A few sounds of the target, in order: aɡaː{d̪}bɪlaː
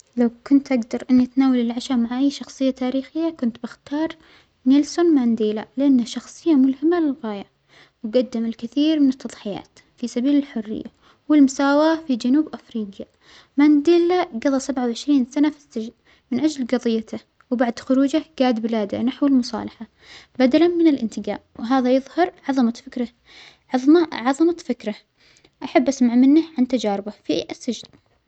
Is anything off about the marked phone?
no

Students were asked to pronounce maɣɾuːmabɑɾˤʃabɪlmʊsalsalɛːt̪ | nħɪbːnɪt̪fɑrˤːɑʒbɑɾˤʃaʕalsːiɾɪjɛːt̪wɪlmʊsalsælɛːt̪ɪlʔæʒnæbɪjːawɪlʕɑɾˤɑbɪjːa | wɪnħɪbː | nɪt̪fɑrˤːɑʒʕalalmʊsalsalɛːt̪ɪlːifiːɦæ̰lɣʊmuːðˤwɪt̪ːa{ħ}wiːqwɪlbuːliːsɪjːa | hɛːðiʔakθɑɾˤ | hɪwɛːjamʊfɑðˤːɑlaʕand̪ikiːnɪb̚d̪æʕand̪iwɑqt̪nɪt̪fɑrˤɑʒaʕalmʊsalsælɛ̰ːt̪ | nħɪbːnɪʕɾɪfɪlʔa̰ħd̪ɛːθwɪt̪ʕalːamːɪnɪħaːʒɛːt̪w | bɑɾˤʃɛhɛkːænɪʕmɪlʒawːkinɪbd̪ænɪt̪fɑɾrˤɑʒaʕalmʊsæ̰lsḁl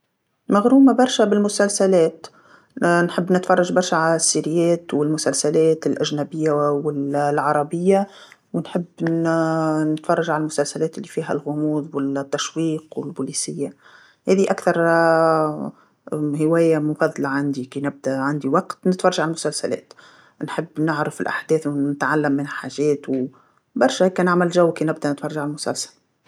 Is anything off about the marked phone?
yes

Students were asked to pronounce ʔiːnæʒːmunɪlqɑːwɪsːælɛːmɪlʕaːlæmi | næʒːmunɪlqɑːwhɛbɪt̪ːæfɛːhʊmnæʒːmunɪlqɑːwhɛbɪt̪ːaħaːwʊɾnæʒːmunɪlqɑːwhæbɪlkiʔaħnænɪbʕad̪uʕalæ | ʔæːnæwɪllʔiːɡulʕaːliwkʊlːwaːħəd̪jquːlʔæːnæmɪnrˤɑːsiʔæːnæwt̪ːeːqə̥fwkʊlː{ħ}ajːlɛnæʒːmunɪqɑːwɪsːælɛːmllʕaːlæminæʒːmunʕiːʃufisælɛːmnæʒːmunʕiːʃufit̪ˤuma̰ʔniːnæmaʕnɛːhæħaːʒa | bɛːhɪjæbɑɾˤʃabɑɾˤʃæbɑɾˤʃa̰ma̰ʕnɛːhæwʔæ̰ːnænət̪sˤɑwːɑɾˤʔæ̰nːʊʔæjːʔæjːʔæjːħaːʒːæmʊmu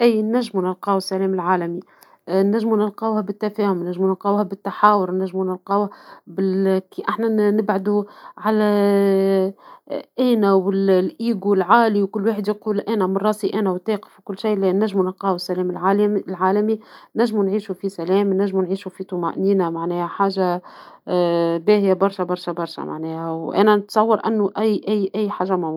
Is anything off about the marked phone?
yes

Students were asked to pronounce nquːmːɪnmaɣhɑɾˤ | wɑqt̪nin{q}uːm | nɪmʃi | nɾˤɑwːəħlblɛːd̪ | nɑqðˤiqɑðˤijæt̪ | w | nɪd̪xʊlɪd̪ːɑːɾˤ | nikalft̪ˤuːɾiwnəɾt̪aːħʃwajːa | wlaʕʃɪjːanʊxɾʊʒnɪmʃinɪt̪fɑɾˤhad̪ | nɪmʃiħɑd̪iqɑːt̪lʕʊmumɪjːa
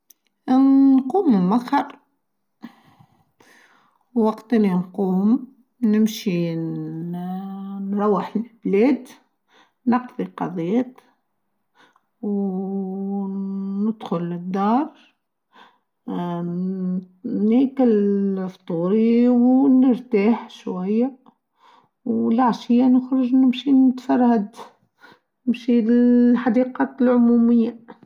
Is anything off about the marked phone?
no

